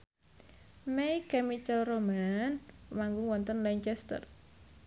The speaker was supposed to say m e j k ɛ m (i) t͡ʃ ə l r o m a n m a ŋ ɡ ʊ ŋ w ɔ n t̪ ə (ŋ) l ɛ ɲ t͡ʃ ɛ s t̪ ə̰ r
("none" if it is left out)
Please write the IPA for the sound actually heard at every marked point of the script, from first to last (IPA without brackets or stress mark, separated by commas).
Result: i, n